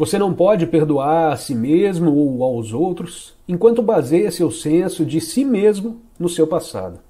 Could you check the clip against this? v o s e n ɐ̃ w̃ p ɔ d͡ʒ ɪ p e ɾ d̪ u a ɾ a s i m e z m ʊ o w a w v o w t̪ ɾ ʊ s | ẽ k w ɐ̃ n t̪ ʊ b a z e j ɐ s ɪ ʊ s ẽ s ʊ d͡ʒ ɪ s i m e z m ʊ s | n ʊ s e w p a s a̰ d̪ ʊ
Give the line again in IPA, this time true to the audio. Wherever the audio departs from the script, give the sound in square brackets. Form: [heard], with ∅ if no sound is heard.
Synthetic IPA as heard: v o s e n ɐ̃ w̃ p ɔ d͡ʒ ɪ p e ɾ d̪ u a ɾ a s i m e z m ʊ o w a w [z] o w t̪ ɾ ʊ s | ẽ k w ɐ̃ n t̪ ʊ b a z e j ɐ s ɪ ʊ s ẽ s ʊ d͡ʒ ɪ s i m e z m ʊ [∅] | n ʊ s e w p a s a̰ d̪ ʊ